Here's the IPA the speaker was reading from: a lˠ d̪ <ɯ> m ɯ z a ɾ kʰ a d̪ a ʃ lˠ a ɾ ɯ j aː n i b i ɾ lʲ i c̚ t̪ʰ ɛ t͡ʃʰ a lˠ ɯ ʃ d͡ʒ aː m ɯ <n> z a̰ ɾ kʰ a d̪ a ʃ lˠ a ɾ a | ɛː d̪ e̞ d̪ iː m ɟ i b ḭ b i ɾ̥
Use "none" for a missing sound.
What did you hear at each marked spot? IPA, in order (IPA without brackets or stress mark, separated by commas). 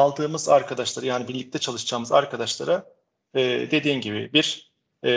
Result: ɯː, none